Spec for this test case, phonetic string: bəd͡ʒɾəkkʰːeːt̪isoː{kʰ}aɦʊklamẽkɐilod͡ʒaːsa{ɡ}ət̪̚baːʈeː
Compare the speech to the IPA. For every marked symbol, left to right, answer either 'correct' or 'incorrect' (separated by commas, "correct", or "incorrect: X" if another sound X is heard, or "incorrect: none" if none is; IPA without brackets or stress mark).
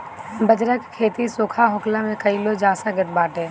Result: correct, correct